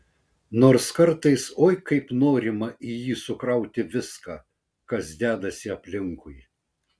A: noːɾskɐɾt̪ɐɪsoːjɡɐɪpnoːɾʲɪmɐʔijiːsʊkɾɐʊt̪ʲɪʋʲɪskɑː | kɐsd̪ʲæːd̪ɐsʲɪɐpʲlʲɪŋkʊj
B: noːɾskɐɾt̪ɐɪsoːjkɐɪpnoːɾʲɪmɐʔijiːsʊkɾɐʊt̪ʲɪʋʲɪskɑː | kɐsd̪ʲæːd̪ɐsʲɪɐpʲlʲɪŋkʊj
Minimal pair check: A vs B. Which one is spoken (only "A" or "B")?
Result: B